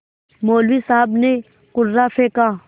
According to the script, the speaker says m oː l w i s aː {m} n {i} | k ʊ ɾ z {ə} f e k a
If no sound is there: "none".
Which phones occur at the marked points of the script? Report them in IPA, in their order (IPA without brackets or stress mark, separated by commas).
b, e, a